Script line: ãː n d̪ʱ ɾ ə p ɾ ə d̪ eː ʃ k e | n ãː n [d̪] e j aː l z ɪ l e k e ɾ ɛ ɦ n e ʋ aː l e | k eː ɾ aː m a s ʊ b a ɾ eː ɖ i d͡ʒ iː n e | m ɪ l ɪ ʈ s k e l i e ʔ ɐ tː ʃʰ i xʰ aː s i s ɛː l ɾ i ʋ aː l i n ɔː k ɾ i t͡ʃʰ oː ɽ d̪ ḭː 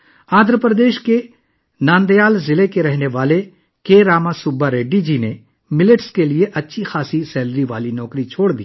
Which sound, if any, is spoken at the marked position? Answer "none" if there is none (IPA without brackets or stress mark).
d̪